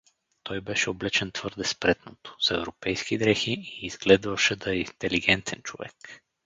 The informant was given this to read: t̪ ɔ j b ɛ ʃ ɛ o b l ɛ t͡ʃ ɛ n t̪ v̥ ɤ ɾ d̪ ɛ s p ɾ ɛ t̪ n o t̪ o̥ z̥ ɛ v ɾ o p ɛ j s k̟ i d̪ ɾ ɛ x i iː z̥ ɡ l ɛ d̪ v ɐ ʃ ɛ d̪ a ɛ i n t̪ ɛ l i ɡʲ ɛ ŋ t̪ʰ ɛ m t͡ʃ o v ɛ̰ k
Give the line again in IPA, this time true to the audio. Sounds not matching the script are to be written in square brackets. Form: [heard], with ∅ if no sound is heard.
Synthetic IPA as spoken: t̪ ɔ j b ɛ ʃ ɛ o b l ɛ t͡ʃ ɛ n t̪ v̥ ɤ ɾ d̪ ɛ s p ɾ ɛ t̪ n o t̪ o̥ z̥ ɛ v ɾ o p ɛ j s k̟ i d̪ ɾ ɛ x i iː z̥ ɡ l ɛ d̪ v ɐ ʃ ɛ d̪ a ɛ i n t̪ ɛ l i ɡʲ ɛ [n] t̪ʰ ɛ [n] t͡ʃ o v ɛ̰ k